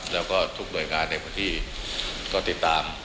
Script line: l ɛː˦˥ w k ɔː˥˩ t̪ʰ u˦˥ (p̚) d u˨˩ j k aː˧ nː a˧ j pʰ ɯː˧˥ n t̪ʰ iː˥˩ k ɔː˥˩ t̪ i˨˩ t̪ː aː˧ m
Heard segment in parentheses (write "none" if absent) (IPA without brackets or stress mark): k̚